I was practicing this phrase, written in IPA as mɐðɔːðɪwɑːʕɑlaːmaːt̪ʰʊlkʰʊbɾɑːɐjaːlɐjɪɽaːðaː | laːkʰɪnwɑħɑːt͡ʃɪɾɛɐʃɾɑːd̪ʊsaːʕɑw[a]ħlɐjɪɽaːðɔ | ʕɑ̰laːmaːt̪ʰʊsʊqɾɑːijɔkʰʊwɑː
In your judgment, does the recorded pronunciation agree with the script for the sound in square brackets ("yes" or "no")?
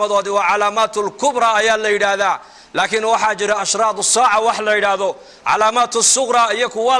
no